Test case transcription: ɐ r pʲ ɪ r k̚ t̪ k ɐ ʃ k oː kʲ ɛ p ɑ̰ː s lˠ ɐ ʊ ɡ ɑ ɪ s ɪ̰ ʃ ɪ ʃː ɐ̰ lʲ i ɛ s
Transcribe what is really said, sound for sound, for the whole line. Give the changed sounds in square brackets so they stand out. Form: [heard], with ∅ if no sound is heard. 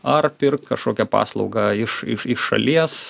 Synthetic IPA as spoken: ɐ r pʲ ɪ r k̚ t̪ k ɐ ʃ k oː kʲ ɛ p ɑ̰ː s lˠ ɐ ʊ ɡ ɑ ɪ [ʃ] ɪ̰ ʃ ɪ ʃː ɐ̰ lʲ i ɛ s